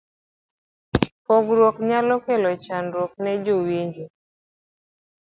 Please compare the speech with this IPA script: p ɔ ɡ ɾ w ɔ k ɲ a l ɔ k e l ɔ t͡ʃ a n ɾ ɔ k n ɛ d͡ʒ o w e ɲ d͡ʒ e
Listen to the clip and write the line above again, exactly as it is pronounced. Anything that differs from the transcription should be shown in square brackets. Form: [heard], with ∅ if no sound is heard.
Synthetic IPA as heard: p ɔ ɡ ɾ w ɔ k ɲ a l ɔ k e l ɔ t͡ʃ a n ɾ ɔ k n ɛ d͡ʒ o w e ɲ d͡ʒ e